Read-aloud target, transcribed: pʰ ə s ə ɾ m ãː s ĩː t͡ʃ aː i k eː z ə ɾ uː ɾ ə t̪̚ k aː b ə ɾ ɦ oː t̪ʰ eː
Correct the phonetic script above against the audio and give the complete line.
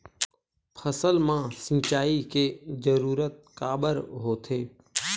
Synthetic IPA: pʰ ə s ə l m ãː s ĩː t͡ʃ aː i k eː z ə ɾ uː ɾ ə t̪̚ k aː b ə ɾ ɦ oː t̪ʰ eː